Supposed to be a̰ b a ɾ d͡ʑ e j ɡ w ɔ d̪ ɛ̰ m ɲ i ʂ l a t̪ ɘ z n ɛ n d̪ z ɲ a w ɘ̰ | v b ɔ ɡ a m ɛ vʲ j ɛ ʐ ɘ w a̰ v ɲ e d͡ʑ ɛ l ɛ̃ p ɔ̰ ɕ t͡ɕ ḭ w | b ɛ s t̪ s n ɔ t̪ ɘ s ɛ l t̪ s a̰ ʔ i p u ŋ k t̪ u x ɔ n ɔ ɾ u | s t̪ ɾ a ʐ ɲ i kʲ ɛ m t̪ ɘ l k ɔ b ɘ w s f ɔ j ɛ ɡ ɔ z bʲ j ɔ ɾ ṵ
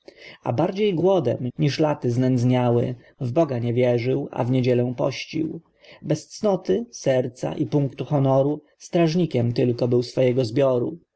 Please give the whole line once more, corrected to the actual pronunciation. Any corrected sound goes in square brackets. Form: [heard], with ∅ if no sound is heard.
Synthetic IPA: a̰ b a ɾ d͡ʑ e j ɡ w ɔ d̪ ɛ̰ m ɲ i ʂ l a t̪ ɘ z n ɛ n d̪ z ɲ a w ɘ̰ | v b ɔ ɡ a [ɲ] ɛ vʲ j ɛ ʐ ɘ w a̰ v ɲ e d͡ʑ ɛ l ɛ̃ p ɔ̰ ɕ t͡ɕ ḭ w | b ɛ s t̪ s n ɔ t̪ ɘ s ɛ [ɾ] t̪ s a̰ ʔ i p u ŋ k t̪ u x ɔ n ɔ ɾ u | s t̪ ɾ a ʐ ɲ i kʲ ɛ m t̪ ɘ l k ɔ b ɘ w s f ɔ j ɛ ɡ ɔ z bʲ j ɔ ɾ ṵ